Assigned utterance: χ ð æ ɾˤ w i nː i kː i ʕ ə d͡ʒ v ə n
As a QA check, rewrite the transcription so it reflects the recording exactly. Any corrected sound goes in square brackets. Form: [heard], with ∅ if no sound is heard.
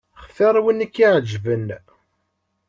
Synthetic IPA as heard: χ [θ] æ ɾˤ w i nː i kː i ʕ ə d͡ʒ v ə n